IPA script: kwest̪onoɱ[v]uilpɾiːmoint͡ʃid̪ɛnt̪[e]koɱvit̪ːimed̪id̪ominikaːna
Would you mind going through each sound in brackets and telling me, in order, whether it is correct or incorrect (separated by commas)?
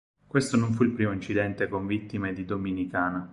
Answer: incorrect, correct